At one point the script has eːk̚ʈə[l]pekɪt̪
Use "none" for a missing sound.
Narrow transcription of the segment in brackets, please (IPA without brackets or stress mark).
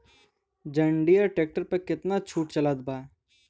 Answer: ɾ